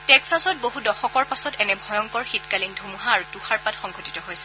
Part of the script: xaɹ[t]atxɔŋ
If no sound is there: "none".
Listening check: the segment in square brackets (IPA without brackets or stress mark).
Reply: p